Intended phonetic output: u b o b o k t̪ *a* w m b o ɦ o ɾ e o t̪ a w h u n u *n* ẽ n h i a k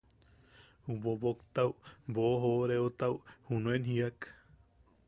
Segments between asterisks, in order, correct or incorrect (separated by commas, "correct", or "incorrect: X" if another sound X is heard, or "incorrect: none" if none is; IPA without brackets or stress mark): correct, incorrect: none